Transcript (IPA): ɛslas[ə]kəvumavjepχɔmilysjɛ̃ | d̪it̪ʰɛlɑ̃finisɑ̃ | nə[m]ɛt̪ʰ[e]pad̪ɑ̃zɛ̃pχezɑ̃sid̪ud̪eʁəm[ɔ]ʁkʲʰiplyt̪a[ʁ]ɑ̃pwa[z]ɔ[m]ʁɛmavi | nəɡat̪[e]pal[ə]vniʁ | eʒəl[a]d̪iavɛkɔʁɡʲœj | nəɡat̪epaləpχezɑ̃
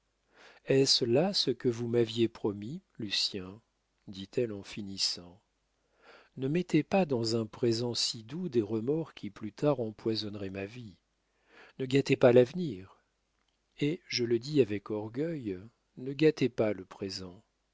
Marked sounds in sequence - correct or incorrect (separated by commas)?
correct, correct, correct, correct, correct, correct, incorrect, correct, incorrect, incorrect